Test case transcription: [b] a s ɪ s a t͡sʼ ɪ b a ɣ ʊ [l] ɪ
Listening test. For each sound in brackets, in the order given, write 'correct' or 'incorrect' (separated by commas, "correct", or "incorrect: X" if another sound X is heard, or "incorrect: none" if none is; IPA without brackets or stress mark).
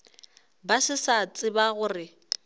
correct, incorrect: r